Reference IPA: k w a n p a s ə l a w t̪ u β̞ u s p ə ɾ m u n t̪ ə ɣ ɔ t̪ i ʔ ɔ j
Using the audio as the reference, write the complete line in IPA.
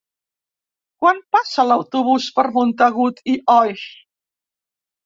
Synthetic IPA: k w a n p a s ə l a w t̪ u β̞ u s p ə ɾ m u n t̪ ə ɣ u t̪ i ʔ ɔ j